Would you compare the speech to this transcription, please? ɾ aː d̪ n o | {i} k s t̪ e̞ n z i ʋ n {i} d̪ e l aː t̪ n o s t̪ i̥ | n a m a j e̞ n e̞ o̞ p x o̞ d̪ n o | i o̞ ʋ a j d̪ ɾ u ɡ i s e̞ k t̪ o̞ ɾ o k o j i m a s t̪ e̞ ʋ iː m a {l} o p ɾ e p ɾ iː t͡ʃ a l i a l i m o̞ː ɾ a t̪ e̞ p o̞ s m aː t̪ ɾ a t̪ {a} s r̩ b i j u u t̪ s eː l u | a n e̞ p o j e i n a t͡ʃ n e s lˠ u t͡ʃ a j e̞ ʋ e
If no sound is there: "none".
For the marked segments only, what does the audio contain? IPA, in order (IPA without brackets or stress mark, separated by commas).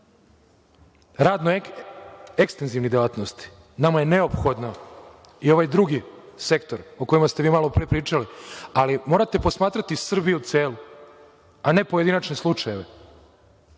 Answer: e, i, l, i